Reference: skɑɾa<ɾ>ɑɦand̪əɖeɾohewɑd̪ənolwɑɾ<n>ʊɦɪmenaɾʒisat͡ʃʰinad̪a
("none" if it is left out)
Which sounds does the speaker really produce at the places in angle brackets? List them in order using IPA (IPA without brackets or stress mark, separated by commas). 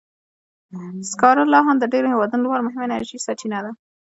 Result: l, m